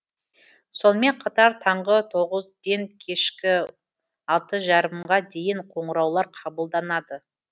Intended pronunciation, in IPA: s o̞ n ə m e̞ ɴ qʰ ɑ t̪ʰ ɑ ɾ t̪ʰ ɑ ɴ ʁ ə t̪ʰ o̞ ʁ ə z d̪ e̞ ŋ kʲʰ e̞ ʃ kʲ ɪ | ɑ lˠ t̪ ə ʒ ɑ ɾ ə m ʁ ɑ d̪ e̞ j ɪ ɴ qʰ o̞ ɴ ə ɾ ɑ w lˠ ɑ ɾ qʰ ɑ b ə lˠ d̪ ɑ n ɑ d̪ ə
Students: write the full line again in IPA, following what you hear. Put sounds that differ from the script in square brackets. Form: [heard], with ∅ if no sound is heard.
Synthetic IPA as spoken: s o̞ n ə m e̞ ɴ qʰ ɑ [t̪] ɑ ɾ t̪ʰ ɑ ɴ ʁ ə t̪ʰ o̞ ʁ ə z d̪ e̞ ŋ kʲʰ e̞ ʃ kʲ ɪ | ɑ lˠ t̪ ə ʒ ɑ ɾ ə m ʁ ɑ d̪ e̞ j ɪ ɴ qʰ o̞ ɴ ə ɾ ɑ w lˠ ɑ ɾ qʰ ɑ b ə lˠ d̪ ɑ n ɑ d̪ ə